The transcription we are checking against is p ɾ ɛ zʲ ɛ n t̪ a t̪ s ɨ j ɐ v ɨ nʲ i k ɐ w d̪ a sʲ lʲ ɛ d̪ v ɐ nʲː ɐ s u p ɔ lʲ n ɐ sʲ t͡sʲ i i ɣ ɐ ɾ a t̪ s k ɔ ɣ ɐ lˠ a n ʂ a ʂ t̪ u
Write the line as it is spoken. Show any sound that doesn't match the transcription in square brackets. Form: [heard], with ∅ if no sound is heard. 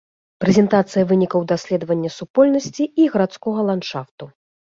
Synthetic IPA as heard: p ɾ ɛ zʲ ɛ n t̪ a t̪ s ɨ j ɐ v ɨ nʲ i k ɐ w d̪ a sʲ lʲ ɛ d̪ v ɐ nʲː ɐ s u p ɔ lʲ n ɐ sʲ t͡sʲ i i ɣ ɐ ɾ a t̪ s k ɔ ɣ ɐ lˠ a n ʂ a [f] t̪ u